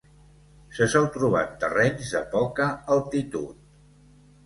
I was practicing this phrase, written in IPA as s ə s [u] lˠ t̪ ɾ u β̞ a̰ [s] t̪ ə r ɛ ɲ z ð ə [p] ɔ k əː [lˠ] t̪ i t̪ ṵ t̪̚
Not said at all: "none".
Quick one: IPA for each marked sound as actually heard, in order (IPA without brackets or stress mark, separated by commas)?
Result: ɔ, none, p, lˠ